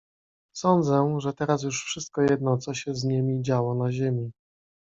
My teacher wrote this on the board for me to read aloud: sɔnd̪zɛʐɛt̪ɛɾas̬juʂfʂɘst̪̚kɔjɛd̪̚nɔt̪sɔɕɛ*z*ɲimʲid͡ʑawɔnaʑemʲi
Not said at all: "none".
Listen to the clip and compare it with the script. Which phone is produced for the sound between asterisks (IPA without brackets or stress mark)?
z